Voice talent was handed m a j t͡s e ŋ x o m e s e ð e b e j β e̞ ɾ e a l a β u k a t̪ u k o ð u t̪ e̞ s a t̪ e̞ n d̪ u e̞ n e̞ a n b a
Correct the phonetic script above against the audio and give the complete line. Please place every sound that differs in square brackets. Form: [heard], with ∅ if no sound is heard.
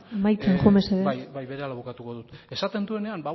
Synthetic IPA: m a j t͡s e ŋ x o m e s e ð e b [a] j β e̞ ɾ e a l a β u k a t̪ u k o ð u t̪ e̞ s a t̪ e̞ n d̪ u e̞ n e̞ a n b a